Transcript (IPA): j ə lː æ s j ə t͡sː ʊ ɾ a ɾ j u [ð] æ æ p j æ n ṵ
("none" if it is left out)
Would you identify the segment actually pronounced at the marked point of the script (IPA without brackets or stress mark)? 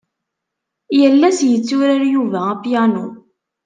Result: v